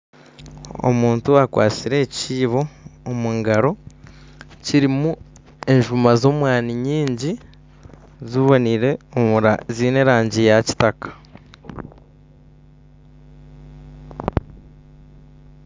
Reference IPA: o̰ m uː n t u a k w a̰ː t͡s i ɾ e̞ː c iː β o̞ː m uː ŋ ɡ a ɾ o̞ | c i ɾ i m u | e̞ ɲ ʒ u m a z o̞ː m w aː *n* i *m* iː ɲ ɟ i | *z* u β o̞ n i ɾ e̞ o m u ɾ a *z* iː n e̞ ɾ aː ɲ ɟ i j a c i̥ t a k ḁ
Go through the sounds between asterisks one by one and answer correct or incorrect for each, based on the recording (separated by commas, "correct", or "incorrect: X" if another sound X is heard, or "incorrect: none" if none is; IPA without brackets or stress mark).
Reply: correct, incorrect: ɲ, correct, correct